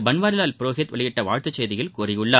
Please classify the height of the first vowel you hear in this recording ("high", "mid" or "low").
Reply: low